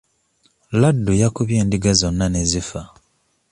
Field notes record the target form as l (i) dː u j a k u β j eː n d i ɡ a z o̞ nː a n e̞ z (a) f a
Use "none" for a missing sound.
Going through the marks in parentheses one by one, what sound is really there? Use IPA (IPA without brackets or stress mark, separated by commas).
a, i